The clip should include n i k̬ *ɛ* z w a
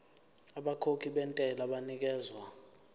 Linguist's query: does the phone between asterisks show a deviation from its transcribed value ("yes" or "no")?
yes